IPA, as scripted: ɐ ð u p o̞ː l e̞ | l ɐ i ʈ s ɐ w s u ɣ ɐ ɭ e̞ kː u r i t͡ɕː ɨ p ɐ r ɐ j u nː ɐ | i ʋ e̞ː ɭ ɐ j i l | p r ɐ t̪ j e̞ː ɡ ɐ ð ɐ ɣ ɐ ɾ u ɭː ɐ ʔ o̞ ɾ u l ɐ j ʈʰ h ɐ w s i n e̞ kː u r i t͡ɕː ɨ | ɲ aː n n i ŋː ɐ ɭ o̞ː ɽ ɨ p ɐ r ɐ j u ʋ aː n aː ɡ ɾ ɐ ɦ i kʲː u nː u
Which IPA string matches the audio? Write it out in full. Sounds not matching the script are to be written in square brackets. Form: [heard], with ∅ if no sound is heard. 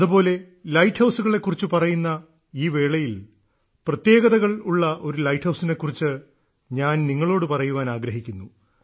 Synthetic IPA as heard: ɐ ð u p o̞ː l e̞ | l ɐ [j] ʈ [h] ɐ w s u ɣ ɐ ɭ e̞ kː u r i t͡ɕː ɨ p ɐ r ɐ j u nː ɐ | [iː] ʋ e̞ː ɭ ɐ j i l | p r ɐ t̪ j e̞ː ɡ ɐ ð ɐ ɣ ɐ [ɭ] u ɭː ɐ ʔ o̞ ɾ u l ɐ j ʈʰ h ɐ w s i n e̞ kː u r i t͡ɕː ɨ | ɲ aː n n i ŋː ɐ ɭ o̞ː ɽ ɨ p ɐ r ɐ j u ʋ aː n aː ɡ ɾ ɐ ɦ i kʲː u nː u